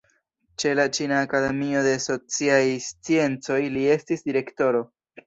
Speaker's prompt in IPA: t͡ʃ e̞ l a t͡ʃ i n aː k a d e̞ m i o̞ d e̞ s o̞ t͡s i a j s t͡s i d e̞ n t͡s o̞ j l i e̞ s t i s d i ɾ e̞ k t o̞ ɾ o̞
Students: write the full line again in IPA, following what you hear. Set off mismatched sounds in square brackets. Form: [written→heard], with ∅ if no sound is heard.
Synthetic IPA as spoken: t͡ʃ e̞ l a t͡ʃ i n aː k a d e̞ m i o̞ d e̞ s o̞ t͡s i a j s t͡s i [d→∅] e̞ n t͡s o̞ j l i e̞ s t i s d i ɾ e̞ k t o̞ ɾ o̞